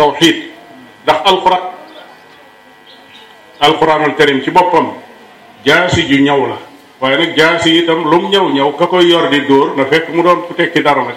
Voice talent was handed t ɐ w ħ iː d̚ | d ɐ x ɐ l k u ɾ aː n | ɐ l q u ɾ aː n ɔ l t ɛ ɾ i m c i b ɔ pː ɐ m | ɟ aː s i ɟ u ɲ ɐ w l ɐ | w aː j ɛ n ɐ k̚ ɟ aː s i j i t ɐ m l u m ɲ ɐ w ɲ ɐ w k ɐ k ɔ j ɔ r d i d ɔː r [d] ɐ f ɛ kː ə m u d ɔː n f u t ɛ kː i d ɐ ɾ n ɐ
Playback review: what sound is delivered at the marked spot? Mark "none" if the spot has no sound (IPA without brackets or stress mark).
n